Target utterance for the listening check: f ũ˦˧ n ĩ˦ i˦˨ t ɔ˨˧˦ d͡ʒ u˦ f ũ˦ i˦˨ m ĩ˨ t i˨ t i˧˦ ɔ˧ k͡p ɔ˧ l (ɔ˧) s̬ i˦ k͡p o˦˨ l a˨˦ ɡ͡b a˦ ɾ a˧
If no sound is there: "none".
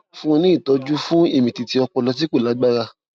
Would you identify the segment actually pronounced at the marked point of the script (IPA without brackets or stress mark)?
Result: ɔ˧